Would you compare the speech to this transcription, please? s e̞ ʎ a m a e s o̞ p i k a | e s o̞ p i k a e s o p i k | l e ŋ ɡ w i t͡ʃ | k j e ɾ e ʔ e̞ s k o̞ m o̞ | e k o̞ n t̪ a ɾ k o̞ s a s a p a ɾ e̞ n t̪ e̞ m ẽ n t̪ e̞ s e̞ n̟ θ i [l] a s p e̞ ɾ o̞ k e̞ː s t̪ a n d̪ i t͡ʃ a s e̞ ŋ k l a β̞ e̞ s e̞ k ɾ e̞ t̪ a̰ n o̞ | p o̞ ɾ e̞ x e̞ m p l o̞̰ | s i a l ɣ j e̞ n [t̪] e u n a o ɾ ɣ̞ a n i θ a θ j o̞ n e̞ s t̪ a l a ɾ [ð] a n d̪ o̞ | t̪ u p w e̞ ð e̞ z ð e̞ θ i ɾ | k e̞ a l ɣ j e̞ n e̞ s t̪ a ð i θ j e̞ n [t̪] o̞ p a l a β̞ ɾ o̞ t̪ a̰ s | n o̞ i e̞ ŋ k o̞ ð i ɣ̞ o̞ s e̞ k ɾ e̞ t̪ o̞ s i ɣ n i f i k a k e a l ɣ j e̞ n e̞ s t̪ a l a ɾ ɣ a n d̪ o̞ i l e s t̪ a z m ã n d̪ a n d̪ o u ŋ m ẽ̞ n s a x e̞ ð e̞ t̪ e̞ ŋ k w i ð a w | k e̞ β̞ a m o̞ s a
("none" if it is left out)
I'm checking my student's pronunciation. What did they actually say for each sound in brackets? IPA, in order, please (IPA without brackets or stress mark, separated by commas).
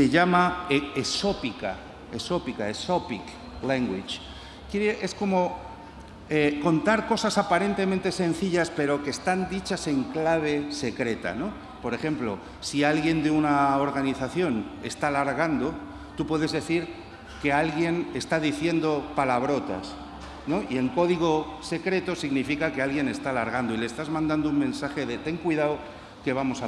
ʎ, d̪, ɣ, d̪